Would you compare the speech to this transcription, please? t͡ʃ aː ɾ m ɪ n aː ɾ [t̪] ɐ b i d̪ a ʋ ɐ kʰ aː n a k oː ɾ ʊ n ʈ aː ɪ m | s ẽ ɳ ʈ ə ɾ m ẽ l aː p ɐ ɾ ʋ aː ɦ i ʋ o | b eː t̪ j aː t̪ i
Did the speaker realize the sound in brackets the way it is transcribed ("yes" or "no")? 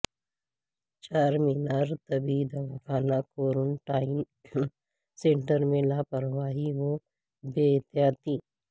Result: yes